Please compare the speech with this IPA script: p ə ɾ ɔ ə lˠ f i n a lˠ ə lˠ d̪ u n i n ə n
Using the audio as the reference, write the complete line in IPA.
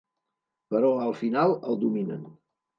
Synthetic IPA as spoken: p ə ɾ ɔ ə lˠ f i n a lˠ ə lˠ d̪ u m i n ə n